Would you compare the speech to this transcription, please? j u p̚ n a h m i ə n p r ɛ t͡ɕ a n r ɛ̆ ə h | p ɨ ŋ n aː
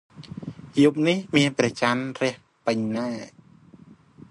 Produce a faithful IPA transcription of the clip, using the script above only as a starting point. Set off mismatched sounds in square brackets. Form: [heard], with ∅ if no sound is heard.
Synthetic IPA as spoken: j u p̚ n [i] h m i ə n p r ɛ t͡ɕ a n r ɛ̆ ə h | p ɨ [ɲ] n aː